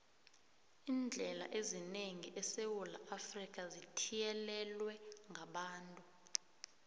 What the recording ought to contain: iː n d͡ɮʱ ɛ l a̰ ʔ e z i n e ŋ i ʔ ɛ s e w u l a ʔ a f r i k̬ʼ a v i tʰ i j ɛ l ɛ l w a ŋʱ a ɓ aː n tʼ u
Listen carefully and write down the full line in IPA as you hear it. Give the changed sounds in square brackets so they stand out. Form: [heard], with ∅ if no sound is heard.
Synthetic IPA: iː n d͡ɮʱ ɛ l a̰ ʔ e z i n e ŋ i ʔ ɛ s e w u l a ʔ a f r i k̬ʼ a [z] i tʰ i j ɛ l ɛ l w [ɛ] ŋʱ a ɓ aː n tʼ u